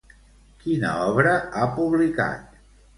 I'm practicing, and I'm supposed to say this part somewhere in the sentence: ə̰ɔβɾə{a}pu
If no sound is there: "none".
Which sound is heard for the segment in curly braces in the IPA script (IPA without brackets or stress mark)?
a